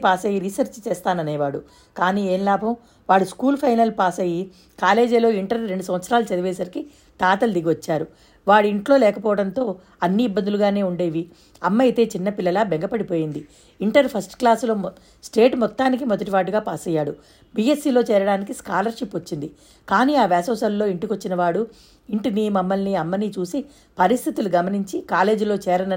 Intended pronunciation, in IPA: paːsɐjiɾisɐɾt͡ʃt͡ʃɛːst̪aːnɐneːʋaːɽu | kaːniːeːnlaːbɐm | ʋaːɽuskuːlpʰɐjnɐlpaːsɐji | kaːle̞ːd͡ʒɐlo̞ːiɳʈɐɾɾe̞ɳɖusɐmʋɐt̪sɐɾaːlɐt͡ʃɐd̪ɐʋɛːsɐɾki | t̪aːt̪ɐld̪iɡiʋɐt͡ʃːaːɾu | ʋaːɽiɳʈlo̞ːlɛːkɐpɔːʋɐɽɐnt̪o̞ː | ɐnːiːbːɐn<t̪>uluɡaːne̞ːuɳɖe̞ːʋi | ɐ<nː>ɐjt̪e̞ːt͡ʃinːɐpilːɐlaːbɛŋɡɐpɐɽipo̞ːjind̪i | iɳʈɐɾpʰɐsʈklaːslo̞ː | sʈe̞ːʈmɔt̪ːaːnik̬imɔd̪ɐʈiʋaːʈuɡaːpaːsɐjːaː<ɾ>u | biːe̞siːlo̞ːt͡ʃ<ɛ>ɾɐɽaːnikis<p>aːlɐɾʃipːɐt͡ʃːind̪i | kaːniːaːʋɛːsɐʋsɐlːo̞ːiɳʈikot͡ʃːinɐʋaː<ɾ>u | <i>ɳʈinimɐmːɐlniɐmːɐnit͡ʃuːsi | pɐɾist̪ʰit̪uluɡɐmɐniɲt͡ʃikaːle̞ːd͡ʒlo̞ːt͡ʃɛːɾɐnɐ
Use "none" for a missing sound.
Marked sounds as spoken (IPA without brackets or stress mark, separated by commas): d̪, mː, ɽ, ɛː, k, ɽ, i